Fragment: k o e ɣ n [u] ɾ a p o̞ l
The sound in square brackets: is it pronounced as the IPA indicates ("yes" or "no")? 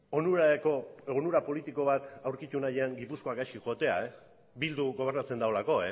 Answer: yes